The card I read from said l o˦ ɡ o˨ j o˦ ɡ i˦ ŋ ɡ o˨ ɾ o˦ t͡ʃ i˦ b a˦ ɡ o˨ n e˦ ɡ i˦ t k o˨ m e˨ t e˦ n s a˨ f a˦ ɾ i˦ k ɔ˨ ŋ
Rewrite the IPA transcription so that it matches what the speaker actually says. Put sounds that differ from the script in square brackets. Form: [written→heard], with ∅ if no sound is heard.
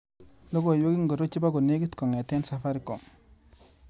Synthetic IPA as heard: l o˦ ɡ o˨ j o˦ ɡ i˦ ŋ ɡ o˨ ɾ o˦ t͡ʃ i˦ b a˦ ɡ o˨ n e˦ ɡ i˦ t k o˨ [m→ŋ] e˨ t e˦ n s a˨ f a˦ ɾ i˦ k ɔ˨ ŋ